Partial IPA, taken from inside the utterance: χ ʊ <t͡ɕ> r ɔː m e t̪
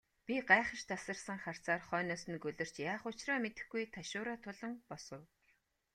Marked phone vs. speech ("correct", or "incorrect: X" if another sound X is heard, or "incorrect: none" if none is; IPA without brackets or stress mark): correct